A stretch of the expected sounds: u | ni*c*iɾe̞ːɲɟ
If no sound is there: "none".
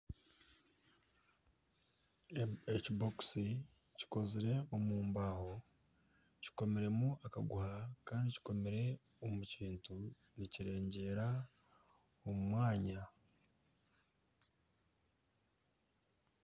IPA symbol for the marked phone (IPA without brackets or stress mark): c